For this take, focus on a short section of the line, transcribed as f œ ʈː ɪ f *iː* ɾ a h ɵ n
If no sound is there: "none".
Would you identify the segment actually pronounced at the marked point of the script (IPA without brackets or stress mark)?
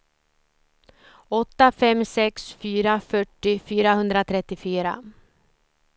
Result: yː